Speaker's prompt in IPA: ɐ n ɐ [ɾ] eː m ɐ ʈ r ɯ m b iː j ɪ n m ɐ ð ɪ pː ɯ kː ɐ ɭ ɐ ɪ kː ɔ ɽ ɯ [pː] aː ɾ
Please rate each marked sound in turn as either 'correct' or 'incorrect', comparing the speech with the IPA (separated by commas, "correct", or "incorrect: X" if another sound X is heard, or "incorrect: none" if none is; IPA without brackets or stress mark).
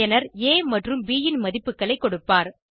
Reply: correct, correct